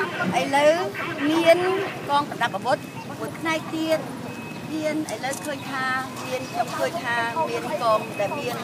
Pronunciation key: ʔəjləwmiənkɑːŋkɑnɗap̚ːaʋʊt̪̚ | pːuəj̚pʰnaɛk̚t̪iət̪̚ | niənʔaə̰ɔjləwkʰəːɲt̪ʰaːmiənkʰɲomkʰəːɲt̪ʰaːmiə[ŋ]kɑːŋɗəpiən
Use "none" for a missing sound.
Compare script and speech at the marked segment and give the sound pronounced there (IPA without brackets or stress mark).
n